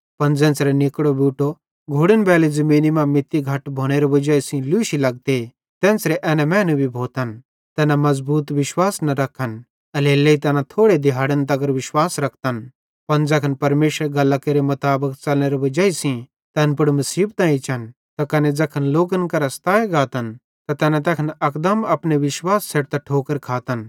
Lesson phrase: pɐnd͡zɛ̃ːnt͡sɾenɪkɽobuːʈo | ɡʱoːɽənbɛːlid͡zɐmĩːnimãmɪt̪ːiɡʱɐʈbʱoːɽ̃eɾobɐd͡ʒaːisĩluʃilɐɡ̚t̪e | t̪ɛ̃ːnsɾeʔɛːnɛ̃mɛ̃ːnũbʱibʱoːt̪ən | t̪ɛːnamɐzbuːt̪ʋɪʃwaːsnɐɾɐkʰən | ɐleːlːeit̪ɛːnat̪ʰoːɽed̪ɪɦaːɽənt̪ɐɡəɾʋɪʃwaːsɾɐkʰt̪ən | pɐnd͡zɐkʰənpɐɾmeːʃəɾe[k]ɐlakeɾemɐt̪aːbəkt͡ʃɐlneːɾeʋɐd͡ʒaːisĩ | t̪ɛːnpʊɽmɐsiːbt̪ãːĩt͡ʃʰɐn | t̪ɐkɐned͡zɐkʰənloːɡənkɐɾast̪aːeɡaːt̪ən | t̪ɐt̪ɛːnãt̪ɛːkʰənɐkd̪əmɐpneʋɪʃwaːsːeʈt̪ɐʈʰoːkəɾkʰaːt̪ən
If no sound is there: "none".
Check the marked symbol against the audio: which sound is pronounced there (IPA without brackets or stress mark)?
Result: ɡ